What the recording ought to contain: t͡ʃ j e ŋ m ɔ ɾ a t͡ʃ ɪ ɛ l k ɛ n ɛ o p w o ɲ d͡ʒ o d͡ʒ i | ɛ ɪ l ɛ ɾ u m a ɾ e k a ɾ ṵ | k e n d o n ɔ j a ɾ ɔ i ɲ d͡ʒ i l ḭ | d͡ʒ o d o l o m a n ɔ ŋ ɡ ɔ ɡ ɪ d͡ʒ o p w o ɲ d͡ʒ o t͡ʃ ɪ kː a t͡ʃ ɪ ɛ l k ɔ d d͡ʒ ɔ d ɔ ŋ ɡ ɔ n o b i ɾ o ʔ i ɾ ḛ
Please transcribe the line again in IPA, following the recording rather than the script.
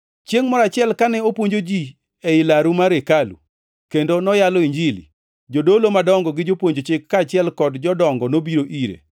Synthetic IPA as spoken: t͡ʃ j e ŋ m ɔ ɾ a t͡ʃ ɪ ɛ l k a n ɛ o p w o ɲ d͡ʒ o d͡ʒ i | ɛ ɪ l a ɾ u m a ɾ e k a l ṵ | k e n d o n ɔ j a l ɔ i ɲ d͡ʒ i l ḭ | d͡ʒ o d o l o m a d ɔ ŋ ɡ ɔ ɡ ɪ d͡ʒ o p w o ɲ d͡ʒ o t͡ʃ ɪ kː a t͡ʃ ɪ ɛ l k ɔ d d͡ʒ ɔ d ɔ ŋ ɡ ɔ n o b i ɾ o ʔ i ɾ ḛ